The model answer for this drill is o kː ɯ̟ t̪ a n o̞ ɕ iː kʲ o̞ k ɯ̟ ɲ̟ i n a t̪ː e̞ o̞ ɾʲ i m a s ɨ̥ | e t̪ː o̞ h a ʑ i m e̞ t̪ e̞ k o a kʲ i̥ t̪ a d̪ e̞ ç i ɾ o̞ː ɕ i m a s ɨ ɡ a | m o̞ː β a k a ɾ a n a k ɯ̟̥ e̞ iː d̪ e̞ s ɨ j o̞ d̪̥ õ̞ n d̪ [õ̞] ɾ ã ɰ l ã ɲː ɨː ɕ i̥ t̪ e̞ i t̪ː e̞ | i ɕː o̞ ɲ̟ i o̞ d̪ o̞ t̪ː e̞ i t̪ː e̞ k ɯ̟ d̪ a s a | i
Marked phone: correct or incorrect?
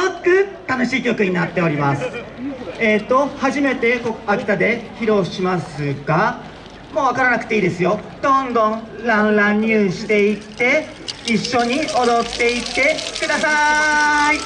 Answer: correct